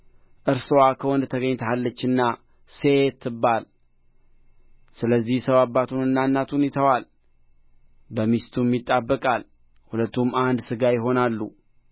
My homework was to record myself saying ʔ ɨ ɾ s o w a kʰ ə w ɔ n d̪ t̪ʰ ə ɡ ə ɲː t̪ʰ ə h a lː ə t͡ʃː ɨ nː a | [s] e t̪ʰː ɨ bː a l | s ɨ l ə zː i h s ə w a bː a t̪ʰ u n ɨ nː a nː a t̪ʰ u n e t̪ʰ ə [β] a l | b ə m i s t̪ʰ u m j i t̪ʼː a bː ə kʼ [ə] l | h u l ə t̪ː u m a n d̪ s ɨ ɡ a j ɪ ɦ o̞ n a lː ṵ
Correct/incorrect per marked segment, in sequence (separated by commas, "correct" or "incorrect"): correct, incorrect, incorrect